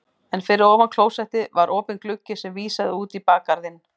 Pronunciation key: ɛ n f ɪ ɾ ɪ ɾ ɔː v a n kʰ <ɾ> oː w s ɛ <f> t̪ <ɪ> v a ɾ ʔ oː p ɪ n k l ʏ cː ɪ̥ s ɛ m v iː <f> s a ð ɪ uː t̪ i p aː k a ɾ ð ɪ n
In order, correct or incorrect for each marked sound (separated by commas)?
incorrect, incorrect, correct, incorrect